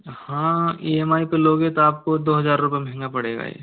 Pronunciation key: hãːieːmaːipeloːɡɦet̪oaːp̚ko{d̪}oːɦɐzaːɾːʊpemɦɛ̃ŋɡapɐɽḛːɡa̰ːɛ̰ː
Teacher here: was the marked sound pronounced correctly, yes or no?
yes